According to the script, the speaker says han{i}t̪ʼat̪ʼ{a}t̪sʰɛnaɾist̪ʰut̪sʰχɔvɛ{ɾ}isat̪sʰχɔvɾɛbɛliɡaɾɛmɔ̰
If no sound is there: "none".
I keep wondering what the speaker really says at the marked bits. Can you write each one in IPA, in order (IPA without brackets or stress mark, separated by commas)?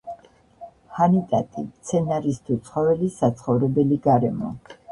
i, i, l